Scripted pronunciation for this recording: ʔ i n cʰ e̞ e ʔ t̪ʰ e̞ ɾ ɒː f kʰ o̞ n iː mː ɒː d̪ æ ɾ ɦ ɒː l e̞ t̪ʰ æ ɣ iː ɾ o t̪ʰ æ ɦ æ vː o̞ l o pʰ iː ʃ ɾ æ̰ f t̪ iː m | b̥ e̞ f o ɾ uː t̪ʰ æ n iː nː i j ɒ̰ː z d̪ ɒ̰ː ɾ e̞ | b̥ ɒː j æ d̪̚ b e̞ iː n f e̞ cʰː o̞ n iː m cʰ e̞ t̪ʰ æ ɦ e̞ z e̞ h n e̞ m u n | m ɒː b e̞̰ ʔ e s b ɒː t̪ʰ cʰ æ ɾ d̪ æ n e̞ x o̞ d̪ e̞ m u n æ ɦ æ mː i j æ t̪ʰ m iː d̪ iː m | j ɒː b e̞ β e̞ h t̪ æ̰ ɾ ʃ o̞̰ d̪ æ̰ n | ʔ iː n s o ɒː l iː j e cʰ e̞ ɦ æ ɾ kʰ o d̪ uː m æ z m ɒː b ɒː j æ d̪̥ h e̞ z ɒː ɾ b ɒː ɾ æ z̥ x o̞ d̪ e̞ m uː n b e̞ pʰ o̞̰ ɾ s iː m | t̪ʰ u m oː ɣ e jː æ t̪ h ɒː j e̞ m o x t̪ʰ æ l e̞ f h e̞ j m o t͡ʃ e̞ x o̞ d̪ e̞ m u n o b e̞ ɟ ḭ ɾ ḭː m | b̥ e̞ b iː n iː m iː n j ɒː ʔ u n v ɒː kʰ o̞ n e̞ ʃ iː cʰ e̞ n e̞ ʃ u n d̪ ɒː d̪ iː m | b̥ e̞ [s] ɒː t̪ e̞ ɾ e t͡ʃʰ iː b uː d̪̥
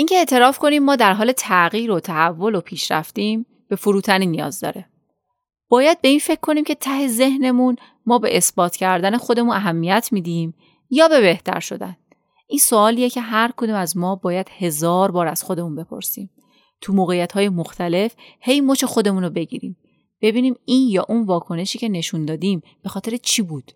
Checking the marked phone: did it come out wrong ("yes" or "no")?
yes